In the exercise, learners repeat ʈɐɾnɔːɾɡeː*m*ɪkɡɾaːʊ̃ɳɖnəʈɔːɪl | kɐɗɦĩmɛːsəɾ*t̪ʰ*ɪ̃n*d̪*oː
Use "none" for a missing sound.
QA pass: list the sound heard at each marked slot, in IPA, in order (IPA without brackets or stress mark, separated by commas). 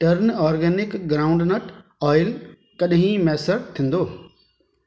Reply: n, t̪ʰ, d̪